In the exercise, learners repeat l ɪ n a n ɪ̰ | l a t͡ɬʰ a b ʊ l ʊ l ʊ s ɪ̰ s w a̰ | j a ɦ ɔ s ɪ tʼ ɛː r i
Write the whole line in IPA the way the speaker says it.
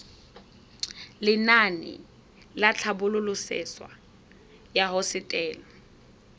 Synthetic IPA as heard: l ɪ n a n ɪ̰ | l a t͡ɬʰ a b ʊ l ʊ l ʊ s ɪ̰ s w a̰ | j a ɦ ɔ s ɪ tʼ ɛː l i